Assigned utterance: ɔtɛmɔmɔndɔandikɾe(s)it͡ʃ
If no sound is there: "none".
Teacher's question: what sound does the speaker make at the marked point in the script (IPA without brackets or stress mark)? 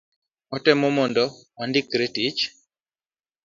t